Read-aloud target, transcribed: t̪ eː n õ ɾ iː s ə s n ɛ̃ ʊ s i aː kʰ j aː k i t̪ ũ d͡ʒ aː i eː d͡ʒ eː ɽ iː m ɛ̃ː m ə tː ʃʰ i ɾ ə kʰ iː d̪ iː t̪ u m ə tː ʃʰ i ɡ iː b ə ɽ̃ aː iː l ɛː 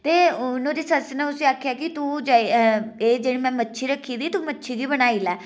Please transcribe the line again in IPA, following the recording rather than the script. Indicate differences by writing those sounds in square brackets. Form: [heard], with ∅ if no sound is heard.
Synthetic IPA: t̪ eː n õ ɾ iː s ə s n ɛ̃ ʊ s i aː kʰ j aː k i t̪ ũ d͡ʒ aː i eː d͡ʒ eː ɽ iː m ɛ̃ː m ə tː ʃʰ i ɾ ə kʰ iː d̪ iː t̪ u m ə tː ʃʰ i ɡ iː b ə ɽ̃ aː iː l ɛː